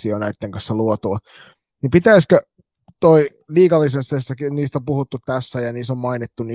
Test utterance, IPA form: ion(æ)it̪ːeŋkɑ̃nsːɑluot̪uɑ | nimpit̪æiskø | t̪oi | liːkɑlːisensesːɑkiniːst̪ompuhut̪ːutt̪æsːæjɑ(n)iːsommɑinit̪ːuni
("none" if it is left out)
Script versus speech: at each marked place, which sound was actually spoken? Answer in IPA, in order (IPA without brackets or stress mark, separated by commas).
æ, n